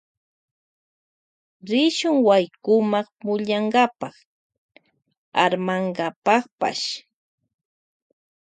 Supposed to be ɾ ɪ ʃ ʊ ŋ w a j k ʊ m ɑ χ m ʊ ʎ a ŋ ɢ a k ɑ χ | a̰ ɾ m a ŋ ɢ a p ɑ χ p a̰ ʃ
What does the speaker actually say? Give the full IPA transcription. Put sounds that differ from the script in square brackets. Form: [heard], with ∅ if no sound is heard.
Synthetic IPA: ɾ ɪ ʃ ʊ ŋ w a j k ʊ m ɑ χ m ʊ ʎ a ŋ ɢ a [p] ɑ χ | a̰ ɾ m a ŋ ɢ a p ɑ χ p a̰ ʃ